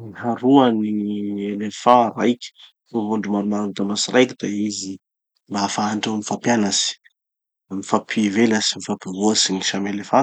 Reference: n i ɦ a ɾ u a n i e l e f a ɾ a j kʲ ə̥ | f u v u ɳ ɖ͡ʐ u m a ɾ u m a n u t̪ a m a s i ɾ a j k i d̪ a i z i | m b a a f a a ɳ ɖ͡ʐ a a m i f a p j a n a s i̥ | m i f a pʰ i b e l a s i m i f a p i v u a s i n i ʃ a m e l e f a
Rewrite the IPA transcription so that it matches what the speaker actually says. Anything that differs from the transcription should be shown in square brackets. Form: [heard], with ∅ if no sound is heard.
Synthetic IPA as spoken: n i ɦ a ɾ u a n i e l e f a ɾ a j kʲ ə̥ | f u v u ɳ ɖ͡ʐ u m a ɾ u m a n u t̪ a m a s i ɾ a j k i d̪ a i z i | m b a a f a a ɳ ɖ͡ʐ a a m i f a p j a n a s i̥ | m i f a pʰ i [v] e l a s i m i f a p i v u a s i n i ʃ a m e l e f a